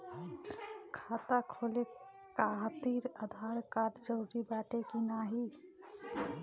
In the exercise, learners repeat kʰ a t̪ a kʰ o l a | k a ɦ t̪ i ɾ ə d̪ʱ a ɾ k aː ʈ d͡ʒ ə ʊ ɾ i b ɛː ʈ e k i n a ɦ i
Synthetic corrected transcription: kʰ a t̪ a kʰ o l e | k a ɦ t̪ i ɾ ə d̪ʱ a ɾ k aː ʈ d͡ʒ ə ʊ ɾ i b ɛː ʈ e k i n a ɦ i